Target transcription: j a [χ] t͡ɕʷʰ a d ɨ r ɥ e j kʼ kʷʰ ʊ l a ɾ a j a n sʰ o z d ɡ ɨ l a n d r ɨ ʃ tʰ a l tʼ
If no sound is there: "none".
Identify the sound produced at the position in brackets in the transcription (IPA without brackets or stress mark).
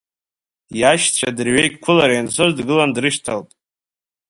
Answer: ʃ